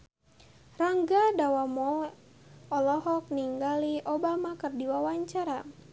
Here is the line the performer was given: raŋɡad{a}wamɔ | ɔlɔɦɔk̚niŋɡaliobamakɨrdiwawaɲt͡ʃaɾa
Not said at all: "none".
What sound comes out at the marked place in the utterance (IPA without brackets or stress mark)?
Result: a